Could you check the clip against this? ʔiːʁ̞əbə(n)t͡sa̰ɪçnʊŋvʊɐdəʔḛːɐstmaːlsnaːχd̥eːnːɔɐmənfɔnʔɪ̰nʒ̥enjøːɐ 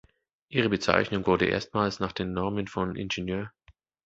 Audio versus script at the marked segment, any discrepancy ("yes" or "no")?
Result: yes